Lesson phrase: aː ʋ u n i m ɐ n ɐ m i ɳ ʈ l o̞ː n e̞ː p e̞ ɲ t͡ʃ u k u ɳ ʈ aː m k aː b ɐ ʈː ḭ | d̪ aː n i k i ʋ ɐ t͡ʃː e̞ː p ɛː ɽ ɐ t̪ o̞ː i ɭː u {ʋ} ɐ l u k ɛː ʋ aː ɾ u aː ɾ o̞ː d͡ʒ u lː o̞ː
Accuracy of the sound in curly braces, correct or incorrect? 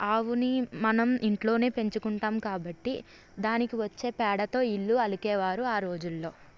incorrect